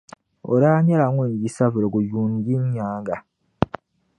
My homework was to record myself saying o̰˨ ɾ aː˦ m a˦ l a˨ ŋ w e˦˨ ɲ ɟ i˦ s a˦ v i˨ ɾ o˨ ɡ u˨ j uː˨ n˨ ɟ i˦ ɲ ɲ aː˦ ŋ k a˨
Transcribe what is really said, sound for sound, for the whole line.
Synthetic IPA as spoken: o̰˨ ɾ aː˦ ɲ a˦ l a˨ ŋ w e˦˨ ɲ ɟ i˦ s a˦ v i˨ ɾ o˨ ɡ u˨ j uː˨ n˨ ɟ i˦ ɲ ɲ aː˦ ŋ ɡ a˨